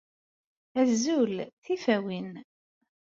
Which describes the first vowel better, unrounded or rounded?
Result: unrounded